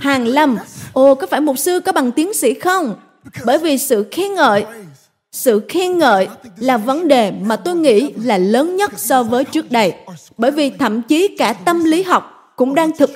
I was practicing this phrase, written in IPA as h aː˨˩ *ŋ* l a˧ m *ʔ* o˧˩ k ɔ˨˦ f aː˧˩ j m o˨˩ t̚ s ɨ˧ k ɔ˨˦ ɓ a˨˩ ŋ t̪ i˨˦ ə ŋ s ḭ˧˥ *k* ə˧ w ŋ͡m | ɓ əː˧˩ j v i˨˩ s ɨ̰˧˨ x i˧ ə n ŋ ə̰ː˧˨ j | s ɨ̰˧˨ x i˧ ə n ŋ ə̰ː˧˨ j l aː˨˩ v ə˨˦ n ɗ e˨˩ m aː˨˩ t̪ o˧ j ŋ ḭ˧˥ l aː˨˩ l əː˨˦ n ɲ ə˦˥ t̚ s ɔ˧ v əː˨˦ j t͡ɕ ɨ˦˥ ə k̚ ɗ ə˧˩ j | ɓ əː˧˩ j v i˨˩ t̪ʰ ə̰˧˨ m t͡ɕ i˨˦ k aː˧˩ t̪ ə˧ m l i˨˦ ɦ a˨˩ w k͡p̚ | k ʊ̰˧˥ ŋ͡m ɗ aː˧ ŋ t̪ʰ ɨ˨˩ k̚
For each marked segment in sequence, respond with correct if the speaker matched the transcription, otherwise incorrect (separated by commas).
correct, correct, incorrect